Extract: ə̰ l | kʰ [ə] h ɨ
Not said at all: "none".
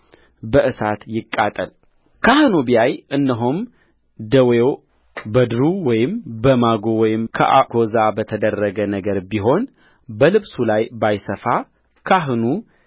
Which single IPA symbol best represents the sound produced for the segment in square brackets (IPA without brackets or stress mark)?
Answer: a